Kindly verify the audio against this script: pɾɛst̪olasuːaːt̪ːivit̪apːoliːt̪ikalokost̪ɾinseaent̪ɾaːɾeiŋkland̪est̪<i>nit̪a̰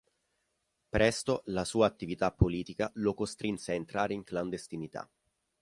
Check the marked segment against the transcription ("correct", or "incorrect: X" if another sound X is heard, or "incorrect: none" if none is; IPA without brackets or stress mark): correct